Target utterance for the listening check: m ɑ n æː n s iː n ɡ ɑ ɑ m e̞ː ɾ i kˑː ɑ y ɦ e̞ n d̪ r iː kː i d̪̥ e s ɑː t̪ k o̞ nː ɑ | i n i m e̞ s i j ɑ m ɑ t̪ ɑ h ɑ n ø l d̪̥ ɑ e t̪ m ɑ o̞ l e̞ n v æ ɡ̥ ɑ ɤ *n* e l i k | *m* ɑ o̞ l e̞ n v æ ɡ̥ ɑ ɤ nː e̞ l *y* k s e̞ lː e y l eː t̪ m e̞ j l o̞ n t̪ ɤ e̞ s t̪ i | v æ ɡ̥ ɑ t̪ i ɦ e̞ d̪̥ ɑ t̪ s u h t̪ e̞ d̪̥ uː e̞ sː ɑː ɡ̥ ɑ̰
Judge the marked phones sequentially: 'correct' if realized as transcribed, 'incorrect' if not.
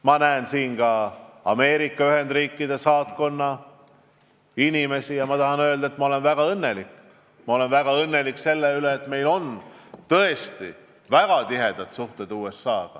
incorrect: nː, correct, incorrect: i

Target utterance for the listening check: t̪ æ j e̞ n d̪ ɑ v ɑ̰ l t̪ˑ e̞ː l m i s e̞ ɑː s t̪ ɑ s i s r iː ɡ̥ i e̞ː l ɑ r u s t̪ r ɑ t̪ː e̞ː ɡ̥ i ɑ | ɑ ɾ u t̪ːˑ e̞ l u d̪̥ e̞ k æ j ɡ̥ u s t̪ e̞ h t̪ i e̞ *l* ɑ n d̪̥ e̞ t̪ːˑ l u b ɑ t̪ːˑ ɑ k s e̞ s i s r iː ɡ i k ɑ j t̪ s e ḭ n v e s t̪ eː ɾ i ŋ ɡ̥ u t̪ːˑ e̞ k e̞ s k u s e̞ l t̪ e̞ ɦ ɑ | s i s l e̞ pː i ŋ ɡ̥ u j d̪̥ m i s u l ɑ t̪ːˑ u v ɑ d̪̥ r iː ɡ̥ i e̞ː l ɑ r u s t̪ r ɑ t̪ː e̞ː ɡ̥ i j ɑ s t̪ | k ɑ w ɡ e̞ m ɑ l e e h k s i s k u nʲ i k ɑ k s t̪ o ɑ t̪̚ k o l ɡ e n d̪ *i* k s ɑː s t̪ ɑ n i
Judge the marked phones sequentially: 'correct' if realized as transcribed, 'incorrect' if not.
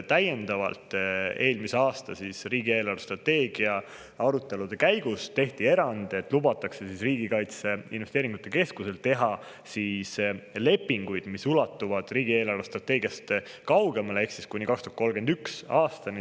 incorrect: ɾ, incorrect: y

